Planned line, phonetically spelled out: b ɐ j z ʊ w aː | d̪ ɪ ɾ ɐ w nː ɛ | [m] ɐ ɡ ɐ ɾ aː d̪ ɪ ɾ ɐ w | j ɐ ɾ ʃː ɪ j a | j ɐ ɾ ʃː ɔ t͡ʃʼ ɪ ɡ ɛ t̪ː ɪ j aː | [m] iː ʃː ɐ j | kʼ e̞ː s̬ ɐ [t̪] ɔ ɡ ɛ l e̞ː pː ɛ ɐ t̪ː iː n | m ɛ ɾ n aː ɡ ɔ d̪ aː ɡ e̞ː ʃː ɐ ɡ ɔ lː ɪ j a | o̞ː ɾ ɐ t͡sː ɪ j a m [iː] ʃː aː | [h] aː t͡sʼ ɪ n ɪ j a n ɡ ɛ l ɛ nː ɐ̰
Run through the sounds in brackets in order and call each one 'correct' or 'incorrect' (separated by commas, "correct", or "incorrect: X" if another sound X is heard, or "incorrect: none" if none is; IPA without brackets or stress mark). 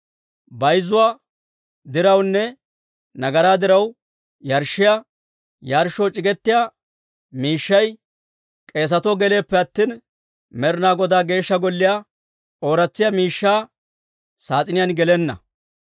incorrect: n, correct, correct, correct, incorrect: s